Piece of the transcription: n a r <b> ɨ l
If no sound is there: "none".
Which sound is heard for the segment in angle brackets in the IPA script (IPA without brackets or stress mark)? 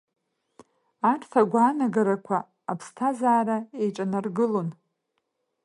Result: ɡ